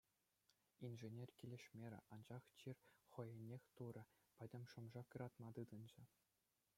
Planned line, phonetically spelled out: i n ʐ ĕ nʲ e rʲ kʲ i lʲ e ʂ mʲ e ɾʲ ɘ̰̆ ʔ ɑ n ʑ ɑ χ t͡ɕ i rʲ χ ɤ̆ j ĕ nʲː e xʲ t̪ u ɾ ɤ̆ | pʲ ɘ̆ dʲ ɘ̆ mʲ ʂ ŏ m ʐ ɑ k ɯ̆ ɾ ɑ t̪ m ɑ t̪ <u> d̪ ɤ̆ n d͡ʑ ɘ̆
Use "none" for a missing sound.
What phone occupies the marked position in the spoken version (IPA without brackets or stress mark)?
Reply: ɯ